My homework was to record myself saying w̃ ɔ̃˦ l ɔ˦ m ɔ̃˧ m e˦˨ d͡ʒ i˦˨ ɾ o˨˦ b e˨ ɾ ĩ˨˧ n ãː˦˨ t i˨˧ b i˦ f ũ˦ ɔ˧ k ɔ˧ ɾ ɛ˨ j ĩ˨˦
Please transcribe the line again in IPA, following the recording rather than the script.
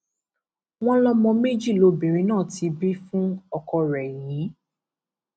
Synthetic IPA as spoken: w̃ ɔ̃˦ l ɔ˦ m ɔ̃˧ m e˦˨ d͡ʒ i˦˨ l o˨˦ b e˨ ɾ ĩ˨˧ n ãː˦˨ t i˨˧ b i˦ f ũ˦ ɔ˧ k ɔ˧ ɾ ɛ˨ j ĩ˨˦